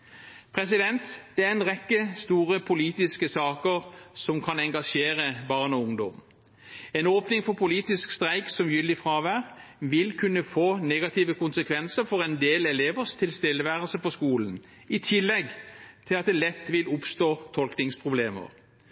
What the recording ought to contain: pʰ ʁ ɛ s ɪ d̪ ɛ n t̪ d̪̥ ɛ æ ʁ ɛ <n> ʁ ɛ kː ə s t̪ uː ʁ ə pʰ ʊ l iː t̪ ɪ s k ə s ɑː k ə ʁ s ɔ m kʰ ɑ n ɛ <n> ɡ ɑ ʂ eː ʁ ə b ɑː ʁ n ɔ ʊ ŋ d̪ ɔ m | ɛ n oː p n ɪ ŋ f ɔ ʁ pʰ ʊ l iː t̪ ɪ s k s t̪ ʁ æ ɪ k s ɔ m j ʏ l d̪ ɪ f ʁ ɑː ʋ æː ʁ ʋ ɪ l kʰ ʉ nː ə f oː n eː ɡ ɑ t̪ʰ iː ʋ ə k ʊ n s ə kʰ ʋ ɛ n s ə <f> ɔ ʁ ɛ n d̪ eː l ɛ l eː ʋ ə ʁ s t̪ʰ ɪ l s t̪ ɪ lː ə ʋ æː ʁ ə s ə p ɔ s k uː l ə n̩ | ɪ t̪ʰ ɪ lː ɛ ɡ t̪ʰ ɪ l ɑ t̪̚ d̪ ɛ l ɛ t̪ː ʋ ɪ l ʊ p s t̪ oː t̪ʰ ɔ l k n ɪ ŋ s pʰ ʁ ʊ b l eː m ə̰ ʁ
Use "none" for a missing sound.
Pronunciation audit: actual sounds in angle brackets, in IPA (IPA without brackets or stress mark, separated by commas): n, ŋ, f